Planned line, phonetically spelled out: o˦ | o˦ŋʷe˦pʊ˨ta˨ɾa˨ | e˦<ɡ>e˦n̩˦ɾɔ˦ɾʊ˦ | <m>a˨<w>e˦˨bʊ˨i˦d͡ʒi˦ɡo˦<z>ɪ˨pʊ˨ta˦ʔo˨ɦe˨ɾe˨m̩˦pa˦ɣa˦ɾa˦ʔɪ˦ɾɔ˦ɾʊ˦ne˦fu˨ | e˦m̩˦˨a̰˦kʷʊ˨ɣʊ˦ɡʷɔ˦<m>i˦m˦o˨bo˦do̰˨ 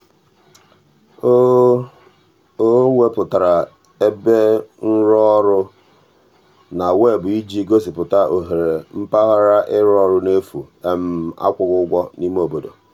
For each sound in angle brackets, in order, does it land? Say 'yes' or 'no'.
no, no, yes, no, no

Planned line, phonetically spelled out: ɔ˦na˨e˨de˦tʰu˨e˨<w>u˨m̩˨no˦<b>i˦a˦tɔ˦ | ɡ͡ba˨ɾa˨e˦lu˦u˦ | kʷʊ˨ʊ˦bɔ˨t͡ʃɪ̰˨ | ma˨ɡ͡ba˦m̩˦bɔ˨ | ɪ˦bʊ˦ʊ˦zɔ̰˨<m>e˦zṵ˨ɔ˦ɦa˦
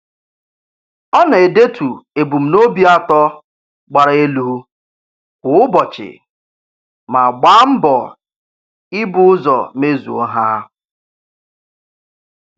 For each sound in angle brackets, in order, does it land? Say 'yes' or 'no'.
no, yes, yes

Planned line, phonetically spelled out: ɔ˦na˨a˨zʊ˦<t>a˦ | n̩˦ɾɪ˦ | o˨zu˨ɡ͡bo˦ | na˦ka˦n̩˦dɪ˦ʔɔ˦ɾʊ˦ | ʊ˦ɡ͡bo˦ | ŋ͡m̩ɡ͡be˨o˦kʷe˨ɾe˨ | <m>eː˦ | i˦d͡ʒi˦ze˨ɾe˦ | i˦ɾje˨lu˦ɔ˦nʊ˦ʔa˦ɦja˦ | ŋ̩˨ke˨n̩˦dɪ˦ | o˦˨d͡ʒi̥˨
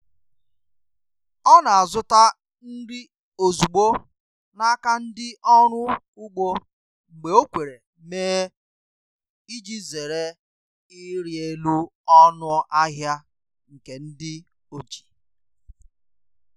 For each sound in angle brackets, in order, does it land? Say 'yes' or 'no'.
yes, yes

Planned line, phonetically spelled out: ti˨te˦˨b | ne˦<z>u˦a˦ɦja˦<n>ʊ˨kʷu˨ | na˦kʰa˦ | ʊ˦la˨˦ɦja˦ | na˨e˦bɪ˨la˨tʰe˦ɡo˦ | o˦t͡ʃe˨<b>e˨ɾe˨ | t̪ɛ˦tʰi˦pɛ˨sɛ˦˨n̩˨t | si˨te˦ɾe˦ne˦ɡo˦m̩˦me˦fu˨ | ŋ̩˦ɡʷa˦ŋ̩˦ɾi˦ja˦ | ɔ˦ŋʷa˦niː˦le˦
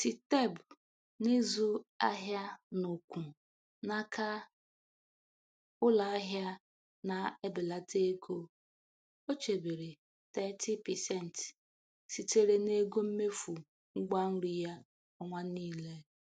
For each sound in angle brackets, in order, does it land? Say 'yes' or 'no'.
yes, yes, yes

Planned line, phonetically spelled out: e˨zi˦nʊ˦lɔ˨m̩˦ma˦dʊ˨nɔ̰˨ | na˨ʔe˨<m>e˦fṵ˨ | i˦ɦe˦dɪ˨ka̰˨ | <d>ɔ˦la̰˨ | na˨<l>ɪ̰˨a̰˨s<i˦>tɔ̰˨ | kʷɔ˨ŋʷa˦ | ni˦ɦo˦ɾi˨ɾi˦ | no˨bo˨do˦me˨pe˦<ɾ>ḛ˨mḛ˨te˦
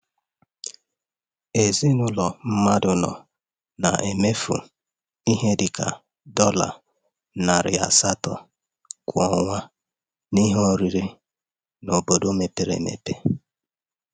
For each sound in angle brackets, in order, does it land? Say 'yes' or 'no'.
yes, yes, no, no, yes

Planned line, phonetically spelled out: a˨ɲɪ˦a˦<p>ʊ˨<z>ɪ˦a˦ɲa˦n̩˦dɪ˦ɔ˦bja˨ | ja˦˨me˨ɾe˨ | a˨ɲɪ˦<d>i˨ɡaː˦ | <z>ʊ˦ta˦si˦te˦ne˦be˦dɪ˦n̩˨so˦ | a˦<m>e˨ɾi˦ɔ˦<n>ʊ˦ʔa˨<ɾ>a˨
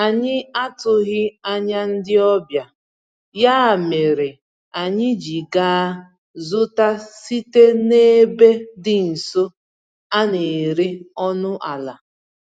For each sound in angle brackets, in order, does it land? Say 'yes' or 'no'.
no, no, no, yes, no, yes, no

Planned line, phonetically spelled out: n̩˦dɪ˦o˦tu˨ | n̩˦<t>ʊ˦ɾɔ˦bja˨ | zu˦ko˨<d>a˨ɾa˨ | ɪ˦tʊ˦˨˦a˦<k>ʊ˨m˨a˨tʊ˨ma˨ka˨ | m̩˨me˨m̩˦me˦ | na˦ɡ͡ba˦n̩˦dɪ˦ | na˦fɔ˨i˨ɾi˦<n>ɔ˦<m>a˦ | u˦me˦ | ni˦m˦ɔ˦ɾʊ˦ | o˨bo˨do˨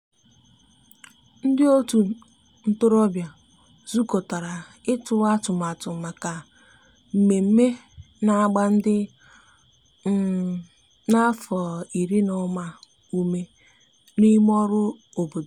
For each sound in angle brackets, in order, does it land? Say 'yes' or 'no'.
yes, no, no, yes, yes

